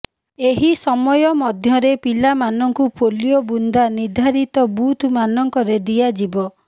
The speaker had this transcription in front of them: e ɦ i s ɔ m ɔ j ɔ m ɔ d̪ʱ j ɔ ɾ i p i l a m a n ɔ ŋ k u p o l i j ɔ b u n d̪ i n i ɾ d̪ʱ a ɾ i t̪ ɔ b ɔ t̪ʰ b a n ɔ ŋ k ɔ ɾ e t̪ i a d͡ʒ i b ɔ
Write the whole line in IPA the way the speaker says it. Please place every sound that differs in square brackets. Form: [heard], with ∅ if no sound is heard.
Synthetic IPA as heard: e ɦ i s ɔ m ɔ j ɔ m ɔ d̪ʱ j ɔ ɾ [e] p i l a m a n ɔ ŋ k u p o l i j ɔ b u n d̪ [a] n i ɾ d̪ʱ a ɾ i t̪ ɔ b [u] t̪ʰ [m] a n ɔ ŋ k ɔ ɾ e [d̪] i a d͡ʒ i b ɔ